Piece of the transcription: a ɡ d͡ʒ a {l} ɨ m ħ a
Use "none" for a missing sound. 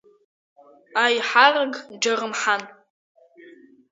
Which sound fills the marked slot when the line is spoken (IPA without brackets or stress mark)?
r